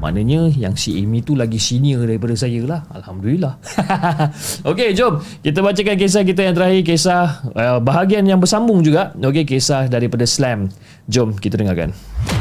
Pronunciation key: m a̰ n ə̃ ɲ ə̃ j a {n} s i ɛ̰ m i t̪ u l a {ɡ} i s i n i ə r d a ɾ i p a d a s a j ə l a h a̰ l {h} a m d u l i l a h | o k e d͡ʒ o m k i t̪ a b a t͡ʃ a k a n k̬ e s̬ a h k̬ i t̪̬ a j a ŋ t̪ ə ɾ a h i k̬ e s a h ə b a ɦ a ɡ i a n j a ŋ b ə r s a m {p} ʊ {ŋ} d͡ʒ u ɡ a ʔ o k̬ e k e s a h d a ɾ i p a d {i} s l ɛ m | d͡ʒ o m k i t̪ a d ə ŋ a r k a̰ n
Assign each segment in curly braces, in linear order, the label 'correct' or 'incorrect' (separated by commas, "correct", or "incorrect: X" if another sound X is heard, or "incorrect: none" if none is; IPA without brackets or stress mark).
incorrect: ŋ, correct, correct, incorrect: b, correct, incorrect: a